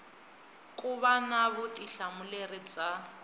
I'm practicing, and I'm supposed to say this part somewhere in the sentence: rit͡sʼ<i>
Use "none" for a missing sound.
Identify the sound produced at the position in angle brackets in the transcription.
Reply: a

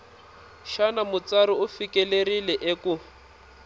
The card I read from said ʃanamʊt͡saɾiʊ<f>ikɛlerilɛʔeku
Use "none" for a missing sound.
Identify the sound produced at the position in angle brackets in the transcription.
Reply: f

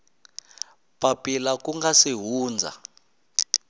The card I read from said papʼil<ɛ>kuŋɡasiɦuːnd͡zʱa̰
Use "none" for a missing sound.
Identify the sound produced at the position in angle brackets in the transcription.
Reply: a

